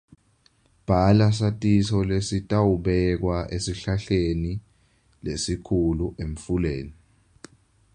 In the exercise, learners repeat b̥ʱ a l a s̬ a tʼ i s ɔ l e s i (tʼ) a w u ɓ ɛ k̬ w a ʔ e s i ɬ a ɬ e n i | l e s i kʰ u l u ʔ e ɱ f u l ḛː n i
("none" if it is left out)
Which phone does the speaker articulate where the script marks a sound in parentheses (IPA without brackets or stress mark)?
tʼ